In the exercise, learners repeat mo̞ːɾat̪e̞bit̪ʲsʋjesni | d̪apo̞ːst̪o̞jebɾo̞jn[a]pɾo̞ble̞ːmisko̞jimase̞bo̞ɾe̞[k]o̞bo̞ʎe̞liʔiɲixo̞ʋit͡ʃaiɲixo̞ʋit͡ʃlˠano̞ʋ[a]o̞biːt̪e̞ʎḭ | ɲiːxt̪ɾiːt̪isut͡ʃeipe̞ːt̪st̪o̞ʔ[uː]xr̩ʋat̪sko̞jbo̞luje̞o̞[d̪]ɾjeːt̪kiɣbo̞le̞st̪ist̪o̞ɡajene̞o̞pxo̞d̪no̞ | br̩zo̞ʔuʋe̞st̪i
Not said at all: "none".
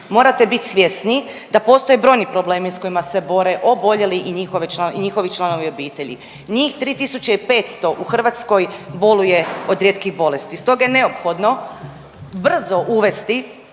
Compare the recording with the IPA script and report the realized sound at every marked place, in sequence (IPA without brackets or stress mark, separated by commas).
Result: i, ʔ, i, u, d̪